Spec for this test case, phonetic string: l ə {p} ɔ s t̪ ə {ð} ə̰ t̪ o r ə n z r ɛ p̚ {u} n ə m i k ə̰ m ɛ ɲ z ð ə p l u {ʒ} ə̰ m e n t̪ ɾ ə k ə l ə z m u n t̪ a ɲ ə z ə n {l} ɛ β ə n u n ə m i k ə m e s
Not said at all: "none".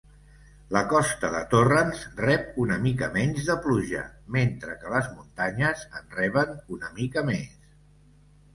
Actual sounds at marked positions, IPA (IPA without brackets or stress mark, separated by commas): k, ð, u, ʒ, r